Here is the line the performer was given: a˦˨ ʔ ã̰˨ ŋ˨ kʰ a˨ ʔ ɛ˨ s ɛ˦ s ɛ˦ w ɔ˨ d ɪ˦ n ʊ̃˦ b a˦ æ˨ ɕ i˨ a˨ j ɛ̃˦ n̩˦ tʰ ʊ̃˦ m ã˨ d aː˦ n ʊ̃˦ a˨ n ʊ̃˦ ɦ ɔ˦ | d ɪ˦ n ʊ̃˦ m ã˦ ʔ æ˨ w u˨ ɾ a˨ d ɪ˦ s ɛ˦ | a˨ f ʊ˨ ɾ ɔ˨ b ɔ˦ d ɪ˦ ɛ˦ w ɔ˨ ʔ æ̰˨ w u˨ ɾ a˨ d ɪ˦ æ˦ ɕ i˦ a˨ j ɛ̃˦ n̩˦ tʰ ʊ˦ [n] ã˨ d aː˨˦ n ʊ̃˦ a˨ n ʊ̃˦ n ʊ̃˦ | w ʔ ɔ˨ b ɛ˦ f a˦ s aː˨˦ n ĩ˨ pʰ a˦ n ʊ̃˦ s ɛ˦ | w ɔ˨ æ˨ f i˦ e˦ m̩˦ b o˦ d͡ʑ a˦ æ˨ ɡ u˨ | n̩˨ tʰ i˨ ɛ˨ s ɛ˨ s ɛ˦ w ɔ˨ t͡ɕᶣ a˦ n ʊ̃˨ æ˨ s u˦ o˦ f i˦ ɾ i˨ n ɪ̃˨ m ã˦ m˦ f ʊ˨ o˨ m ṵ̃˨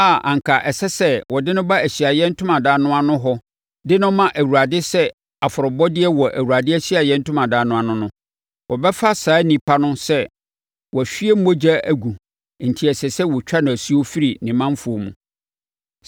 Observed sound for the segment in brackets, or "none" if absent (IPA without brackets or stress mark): m